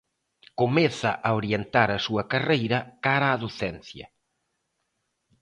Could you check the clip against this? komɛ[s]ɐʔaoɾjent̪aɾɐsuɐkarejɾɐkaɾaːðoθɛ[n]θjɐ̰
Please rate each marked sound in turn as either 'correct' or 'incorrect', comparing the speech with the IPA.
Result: incorrect: θ, correct

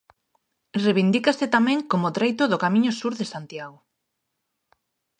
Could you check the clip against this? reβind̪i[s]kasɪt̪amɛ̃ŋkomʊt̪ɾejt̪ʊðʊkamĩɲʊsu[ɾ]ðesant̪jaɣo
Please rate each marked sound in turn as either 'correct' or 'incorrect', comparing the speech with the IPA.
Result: incorrect: none, correct

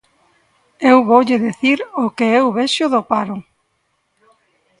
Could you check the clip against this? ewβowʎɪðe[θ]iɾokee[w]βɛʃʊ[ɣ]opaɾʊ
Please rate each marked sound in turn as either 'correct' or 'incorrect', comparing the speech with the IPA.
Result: correct, correct, incorrect: ð

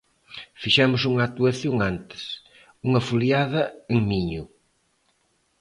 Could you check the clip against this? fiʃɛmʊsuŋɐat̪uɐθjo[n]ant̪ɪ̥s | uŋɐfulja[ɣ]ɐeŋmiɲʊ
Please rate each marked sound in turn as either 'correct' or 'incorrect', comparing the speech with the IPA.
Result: incorrect: ŋ, incorrect: ð

